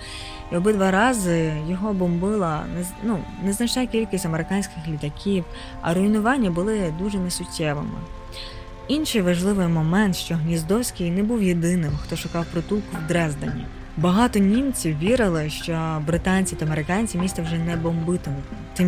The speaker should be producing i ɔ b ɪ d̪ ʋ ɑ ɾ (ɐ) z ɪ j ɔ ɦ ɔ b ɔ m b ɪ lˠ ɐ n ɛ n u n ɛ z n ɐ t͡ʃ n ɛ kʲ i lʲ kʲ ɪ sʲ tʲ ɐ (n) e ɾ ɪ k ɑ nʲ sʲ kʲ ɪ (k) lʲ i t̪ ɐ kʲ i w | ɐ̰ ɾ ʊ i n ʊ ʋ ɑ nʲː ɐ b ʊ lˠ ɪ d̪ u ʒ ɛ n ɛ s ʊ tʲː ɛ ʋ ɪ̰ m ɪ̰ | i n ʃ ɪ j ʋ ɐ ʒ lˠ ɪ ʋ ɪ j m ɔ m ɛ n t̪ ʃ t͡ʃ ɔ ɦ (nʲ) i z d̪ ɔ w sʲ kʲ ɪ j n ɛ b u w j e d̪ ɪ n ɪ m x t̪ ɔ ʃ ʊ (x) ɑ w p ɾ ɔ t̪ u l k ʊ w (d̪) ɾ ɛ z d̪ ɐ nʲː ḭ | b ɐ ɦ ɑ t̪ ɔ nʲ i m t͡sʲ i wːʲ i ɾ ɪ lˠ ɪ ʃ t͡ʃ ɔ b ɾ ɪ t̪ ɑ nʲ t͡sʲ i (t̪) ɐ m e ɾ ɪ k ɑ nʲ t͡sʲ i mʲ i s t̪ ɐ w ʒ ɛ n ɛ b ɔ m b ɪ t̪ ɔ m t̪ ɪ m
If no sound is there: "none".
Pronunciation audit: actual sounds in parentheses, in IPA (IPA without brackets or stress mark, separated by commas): ɑ, m, x, nʲ, k, d̪, t̪